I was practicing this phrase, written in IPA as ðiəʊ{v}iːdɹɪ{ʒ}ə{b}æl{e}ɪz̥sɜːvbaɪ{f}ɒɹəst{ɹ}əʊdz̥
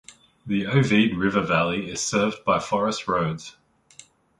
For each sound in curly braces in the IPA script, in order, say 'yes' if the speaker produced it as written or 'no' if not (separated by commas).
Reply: yes, no, no, no, yes, yes